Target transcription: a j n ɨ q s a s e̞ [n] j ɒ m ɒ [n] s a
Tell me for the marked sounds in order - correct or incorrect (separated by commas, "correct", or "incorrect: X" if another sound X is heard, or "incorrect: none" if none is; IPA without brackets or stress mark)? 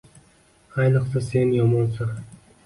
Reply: correct, correct